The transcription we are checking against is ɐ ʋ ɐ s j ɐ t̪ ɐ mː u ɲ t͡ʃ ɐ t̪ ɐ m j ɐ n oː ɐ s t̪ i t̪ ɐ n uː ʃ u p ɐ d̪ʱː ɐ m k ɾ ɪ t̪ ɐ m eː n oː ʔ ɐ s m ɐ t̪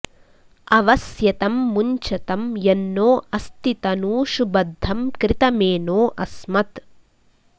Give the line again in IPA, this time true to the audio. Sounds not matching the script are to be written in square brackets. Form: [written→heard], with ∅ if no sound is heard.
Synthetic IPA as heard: ɐ ʋ ɐ s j ɐ t̪ ɐ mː u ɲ t͡ʃ ɐ t̪ ɐ m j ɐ [n→nː] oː ɐ s t̪ i t̪ ɐ n uː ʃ u [p→b] ɐ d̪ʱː ɐ m k ɾ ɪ t̪ ɐ m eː n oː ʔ ɐ s m ɐ t̪